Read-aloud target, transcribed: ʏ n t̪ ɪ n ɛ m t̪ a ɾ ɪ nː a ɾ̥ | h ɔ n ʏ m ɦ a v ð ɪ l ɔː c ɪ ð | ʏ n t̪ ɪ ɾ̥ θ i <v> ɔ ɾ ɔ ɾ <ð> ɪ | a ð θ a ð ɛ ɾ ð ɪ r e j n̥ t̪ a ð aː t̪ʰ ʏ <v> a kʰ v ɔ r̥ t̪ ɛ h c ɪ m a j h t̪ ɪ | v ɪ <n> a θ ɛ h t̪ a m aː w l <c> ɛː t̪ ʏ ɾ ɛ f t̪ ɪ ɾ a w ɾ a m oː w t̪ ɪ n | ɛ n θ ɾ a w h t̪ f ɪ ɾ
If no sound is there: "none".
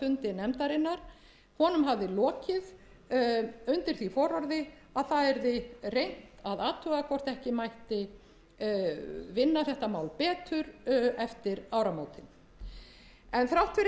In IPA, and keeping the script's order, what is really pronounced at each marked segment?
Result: f, ð, ɣ, nː, p

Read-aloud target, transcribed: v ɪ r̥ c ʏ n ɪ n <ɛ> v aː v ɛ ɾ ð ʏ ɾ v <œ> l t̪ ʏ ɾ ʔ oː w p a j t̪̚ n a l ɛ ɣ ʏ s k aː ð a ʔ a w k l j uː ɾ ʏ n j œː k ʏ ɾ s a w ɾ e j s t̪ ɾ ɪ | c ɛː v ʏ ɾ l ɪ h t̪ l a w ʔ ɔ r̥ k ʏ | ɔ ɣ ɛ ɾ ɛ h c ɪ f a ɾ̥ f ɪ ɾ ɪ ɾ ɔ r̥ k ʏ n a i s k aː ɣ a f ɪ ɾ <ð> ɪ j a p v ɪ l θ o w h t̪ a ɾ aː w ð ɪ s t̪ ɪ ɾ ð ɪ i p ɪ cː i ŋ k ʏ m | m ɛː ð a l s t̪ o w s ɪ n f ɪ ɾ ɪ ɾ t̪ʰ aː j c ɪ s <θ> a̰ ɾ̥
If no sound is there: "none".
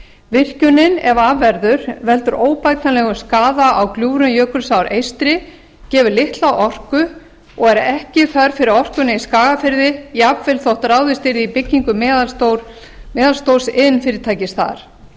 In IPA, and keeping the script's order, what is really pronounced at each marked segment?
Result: ɛ, ɛ, ð, θ

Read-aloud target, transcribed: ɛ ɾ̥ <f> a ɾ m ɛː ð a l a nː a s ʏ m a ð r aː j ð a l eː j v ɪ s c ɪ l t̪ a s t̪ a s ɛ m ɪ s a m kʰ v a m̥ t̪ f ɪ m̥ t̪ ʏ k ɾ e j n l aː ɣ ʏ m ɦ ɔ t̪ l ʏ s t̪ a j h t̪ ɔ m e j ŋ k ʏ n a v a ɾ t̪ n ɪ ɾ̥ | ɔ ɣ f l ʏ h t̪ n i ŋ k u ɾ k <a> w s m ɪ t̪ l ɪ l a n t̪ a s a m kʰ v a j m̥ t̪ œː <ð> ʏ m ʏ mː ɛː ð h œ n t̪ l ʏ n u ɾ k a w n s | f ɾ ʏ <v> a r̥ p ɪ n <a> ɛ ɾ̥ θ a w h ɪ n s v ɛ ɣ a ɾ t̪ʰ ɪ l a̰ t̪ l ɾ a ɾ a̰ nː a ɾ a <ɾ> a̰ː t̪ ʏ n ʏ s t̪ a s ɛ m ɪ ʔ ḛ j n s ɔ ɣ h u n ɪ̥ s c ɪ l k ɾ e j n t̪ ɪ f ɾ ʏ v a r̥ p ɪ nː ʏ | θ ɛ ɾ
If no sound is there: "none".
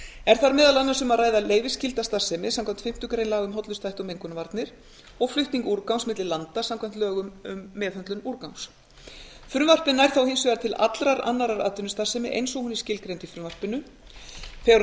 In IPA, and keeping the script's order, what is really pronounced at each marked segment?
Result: θ, a, ɣ, v, a, ɾ

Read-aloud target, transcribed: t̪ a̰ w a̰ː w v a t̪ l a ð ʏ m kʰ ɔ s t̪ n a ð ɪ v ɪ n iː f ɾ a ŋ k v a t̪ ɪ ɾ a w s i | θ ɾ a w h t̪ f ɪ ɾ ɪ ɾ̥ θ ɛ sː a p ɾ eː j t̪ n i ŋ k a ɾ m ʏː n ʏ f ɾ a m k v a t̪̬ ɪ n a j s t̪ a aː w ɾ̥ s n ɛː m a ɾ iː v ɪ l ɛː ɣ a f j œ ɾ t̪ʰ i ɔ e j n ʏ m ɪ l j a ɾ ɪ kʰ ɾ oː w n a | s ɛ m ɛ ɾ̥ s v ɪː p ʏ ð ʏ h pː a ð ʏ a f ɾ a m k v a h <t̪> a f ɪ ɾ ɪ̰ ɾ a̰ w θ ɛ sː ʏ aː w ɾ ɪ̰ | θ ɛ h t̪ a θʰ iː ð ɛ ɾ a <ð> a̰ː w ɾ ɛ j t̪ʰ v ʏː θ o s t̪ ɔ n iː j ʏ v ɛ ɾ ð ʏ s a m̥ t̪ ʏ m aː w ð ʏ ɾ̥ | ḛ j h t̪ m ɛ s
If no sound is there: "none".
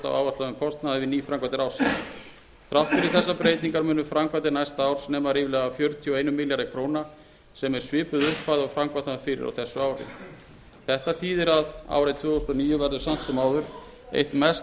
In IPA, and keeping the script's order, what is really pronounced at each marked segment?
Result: t̪, ð

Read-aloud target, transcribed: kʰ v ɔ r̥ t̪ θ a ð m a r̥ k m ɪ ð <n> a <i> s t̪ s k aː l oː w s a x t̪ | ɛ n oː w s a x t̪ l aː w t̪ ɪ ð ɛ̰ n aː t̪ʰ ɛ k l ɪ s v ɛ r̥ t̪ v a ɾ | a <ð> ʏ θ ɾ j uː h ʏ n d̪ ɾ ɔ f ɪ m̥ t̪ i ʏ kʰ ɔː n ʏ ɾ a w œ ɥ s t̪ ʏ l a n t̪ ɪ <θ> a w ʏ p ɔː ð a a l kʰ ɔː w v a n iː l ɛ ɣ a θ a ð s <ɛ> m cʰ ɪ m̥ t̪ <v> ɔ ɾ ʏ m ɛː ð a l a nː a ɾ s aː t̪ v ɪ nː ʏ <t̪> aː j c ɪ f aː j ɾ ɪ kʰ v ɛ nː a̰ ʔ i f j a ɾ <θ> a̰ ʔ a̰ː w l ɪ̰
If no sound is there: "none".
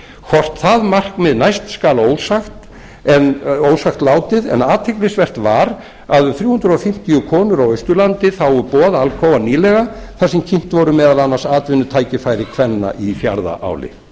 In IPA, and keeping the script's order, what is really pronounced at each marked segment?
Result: n, j, ð, θ, ɛ, v, t̪ʰ, ð

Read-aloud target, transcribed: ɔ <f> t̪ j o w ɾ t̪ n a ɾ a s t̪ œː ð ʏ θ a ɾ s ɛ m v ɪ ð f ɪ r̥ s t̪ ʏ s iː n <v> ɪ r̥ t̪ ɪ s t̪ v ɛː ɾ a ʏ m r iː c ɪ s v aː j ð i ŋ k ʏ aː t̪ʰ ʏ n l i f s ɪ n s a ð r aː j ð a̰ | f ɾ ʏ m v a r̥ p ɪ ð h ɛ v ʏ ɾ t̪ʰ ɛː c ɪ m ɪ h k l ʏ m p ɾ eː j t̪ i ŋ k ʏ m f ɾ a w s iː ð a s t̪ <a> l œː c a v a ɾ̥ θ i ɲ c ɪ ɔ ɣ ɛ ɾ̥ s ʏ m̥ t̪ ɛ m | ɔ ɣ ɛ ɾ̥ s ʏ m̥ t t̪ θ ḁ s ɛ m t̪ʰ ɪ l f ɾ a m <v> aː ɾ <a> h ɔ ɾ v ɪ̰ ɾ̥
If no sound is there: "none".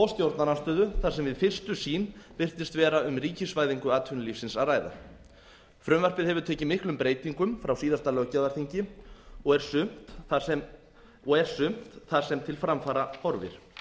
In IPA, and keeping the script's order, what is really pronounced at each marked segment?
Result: s, v, a, f, a

